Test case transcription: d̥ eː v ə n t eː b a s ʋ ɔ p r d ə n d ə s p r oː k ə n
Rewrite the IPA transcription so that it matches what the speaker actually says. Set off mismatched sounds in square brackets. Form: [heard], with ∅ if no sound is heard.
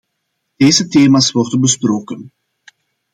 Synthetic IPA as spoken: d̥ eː [z] ə [∅] t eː [m] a s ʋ ɔ [∅] r d ə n [b] ə s p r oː k ə n